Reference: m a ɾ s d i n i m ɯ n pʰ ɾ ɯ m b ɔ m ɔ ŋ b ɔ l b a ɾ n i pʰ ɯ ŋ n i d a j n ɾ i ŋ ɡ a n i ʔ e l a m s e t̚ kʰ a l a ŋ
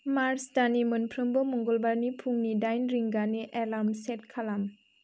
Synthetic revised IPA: m a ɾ s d a n i m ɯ n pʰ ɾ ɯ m b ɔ m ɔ ŋ ɡ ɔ l b a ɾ n i pʰ u ŋ n i d a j n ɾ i ŋ ɡ a n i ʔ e l a m s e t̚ kʰ a l a m